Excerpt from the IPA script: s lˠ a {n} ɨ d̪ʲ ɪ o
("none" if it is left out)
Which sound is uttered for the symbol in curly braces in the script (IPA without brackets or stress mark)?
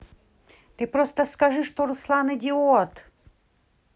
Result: n